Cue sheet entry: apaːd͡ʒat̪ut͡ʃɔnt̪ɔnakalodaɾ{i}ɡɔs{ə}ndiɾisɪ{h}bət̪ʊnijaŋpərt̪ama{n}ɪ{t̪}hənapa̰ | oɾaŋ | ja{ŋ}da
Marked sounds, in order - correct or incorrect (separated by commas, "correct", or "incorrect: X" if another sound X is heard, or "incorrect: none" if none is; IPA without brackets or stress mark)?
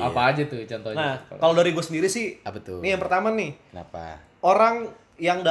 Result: correct, correct, correct, correct, incorrect: none, correct